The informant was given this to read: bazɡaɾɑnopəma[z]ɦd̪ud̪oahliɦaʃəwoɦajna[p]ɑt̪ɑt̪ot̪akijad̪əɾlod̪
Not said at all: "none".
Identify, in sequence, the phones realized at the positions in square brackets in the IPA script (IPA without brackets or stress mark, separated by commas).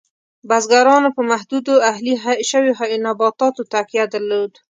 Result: none, b